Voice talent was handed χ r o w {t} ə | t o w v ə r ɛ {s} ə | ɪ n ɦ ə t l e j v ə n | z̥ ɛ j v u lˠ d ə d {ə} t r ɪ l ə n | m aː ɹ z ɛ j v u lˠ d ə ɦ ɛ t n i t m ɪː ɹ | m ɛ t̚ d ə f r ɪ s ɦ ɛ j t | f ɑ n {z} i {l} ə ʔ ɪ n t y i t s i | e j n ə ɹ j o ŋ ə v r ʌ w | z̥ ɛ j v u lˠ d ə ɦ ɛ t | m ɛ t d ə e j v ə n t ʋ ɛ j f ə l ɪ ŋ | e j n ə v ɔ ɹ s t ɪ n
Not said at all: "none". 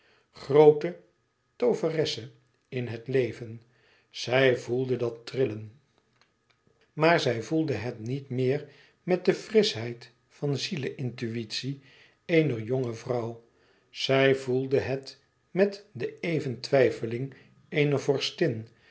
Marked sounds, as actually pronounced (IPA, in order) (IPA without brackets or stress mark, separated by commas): t, s, ɑ, z, l